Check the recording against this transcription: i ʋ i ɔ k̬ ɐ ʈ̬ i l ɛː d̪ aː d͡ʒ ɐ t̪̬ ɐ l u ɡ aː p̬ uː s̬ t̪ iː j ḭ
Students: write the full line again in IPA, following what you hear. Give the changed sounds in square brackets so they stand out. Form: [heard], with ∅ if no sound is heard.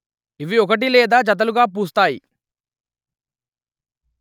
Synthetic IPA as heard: i ʋ i ɔ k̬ ɐ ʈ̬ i l ɛː d̪ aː d͡ʒ ɐ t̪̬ ɐ l u ɡ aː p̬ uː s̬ t̪ [aː] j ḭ